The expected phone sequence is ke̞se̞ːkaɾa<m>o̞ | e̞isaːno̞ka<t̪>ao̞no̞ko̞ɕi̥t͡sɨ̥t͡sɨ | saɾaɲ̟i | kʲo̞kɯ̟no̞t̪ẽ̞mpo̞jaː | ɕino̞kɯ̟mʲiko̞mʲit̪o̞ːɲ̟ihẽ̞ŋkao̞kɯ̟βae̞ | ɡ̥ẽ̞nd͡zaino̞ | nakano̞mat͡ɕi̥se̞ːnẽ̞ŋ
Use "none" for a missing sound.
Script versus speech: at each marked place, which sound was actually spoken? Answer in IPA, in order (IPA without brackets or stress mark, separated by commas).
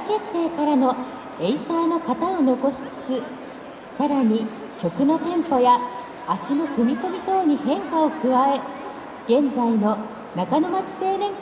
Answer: n, t̪